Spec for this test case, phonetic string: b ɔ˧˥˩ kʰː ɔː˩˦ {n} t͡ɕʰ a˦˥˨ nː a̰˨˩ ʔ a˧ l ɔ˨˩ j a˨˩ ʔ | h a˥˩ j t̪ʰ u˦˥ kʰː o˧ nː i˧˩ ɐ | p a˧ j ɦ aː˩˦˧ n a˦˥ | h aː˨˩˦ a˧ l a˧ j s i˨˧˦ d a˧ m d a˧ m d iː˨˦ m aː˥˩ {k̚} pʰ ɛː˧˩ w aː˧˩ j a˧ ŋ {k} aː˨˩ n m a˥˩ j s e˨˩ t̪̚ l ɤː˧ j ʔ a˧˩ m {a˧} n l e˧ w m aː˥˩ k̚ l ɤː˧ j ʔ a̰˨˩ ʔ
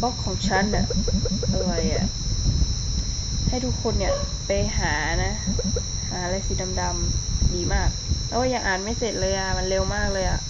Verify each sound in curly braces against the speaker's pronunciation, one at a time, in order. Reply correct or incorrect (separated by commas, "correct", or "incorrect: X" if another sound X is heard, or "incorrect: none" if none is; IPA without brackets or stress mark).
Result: incorrect: ŋ, correct, incorrect: ʔ, correct